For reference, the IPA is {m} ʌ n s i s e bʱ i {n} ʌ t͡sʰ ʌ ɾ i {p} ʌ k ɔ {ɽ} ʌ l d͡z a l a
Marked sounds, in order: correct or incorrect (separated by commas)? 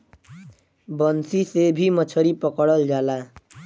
incorrect, incorrect, correct, correct